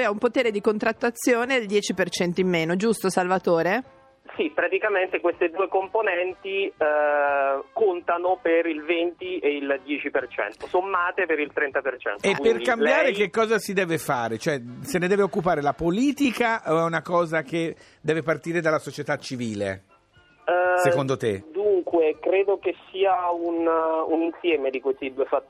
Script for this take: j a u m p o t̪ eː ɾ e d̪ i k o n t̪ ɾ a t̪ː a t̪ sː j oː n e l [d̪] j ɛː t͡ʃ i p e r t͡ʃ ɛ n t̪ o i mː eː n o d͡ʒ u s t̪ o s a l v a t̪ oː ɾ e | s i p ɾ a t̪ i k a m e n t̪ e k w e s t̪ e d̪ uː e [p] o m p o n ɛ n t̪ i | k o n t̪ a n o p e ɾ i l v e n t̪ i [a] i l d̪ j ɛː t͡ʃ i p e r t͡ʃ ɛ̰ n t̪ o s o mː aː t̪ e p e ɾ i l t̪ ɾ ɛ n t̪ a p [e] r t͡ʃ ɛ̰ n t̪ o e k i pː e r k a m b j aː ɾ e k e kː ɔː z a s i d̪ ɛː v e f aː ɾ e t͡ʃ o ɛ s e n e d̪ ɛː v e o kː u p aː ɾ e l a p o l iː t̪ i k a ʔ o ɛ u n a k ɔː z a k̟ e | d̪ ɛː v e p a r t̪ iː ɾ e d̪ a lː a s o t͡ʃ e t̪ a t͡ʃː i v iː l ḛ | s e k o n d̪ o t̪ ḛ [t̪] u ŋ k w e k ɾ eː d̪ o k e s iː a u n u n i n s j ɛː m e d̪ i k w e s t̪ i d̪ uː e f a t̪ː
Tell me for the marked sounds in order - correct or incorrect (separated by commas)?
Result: correct, incorrect, incorrect, correct, incorrect